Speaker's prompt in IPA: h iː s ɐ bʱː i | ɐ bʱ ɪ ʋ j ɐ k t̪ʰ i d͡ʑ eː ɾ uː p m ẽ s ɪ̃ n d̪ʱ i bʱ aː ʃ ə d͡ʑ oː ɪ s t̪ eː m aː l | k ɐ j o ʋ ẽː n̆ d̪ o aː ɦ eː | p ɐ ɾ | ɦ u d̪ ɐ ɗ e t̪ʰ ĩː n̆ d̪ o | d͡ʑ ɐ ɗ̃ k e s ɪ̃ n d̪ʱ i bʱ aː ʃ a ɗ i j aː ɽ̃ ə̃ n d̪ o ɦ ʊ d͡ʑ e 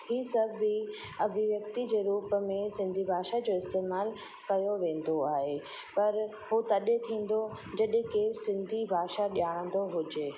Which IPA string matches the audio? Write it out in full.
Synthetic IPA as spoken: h iː s ɐ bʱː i | ɐ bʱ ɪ ʋ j ɐ k t̪ i d͡ʑ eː ɾ uː p m ẽ s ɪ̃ n d̪ʱ i bʱ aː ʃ a d͡ʑ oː ɪ s t̪ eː m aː l | k ɐ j o ʋ ẽː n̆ d̪ o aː ɦ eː | p ɐ ɾ | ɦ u t̪ ɐ ɗ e t̪ʰ ĩː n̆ d̪ o | d͡ʑ ɐ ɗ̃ k e s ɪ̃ n d̪ʱ i bʱ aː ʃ a ɗ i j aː ɽ̃ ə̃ n d̪ o ɦ ʊ d͡ʑ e